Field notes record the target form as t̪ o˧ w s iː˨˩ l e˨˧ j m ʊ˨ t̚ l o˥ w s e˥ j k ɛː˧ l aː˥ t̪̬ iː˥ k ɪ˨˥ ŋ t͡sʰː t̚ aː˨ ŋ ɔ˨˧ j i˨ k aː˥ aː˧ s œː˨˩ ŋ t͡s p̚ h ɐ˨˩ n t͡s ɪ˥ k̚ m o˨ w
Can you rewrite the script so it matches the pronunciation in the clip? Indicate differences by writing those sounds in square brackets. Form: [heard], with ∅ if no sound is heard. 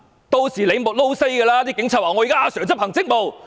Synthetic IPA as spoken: t̪ o˧ w s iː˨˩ l e˨˧ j m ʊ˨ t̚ l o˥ w s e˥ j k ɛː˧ l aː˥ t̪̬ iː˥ k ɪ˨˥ ŋ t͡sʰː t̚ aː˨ ŋ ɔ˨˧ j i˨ k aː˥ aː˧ s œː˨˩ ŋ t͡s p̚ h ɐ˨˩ [ŋ] t͡s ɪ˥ k̚ m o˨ w